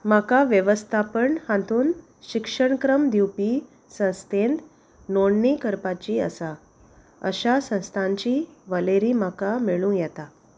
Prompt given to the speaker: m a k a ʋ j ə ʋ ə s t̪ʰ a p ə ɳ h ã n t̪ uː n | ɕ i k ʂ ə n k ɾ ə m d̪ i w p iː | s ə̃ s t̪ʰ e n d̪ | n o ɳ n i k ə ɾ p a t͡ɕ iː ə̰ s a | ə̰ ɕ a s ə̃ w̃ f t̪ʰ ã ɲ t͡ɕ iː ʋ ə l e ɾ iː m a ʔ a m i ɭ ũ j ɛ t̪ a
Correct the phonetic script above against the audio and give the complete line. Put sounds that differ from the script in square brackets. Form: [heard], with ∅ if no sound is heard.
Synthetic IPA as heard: m a k a ʋ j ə ʋ ə s t̪ʰ a p ə ɳ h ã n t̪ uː n | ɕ i k ʂ ə [ɳ] k ɾ ə m d̪ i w p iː | s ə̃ s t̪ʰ e n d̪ | n o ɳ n i k ə ɾ p a t͡ɕ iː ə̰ s a | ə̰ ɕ a s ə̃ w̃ [s] t̪ʰ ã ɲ t͡ɕ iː ʋ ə l e ɾ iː m a [k] a m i ɭ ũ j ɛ t̪ a